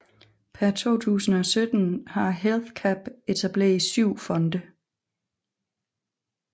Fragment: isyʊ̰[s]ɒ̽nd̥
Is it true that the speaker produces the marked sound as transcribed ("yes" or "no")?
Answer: no